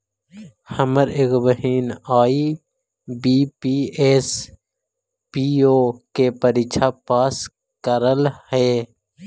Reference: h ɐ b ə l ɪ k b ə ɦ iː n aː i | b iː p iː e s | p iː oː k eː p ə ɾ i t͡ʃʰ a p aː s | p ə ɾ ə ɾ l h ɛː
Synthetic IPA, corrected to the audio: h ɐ m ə ɾ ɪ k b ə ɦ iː n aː i | b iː p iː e s | p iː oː k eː p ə ɾ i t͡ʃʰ a p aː s | k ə ɾ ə l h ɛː